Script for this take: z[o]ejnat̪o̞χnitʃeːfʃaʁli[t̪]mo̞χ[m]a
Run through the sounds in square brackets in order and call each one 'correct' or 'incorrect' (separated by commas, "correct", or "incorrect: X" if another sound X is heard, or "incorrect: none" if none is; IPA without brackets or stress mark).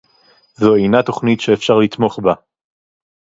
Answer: correct, correct, incorrect: b